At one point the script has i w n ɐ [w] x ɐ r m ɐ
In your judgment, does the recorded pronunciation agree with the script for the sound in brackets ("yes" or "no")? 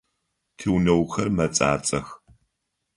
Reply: yes